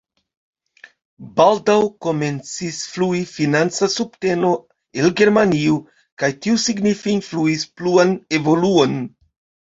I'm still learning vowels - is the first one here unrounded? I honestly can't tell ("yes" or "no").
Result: yes